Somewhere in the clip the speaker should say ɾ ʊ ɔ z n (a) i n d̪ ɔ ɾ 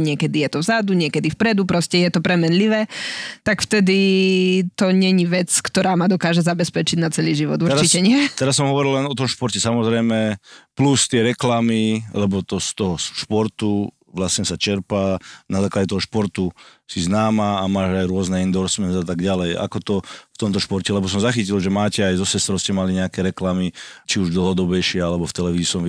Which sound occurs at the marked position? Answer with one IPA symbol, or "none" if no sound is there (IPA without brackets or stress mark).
ɛ